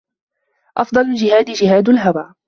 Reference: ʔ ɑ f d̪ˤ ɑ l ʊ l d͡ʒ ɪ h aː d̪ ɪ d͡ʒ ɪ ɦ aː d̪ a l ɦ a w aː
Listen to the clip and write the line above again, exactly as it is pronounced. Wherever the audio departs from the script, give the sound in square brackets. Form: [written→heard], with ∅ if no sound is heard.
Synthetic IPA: ʔ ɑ f d̪ˤ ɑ l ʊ l d͡ʒ ɪ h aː d̪ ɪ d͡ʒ ɪ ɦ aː d̪ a l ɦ a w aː